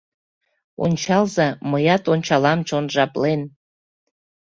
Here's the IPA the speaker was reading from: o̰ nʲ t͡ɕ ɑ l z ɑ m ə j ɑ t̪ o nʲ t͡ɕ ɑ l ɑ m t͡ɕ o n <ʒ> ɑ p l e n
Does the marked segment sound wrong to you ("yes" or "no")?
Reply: no